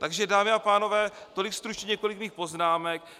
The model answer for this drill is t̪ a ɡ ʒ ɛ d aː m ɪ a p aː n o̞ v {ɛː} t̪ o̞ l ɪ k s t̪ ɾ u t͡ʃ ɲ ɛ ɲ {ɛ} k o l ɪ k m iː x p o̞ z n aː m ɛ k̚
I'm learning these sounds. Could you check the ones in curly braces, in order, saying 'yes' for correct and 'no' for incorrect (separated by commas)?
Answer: yes, yes